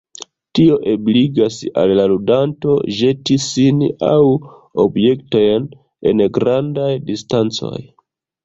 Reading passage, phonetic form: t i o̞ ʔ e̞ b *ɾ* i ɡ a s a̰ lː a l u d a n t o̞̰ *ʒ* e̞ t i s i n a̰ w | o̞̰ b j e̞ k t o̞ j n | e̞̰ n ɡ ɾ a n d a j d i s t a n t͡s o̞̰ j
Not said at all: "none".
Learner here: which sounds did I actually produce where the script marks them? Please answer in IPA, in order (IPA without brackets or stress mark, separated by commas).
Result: l, ʒ